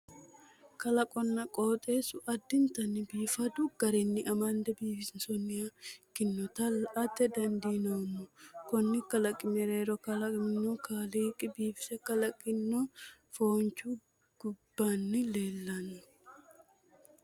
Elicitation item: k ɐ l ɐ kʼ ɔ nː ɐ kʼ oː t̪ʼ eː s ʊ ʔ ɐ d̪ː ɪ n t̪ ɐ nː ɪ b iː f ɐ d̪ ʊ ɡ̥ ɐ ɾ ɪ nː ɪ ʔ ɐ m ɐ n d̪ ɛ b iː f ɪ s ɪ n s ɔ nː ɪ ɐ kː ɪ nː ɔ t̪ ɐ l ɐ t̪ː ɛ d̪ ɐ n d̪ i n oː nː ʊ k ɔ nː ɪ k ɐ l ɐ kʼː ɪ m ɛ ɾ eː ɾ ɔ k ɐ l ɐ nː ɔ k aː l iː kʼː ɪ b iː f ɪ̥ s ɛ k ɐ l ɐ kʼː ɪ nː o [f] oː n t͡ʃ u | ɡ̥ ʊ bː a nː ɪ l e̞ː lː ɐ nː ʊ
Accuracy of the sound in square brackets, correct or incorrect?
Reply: correct